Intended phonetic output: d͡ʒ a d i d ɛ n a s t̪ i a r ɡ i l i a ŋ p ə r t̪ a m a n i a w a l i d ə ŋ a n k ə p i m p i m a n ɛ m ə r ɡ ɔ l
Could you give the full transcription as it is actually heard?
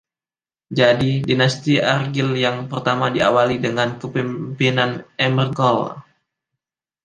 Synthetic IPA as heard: d͡ʒ a d i d i n a s t̪ i a r ɡ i l j a ŋ p ə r t̪ a m a d i a w a l i d ə ŋ a n k ə p i m p i n a n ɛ m ə r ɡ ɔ l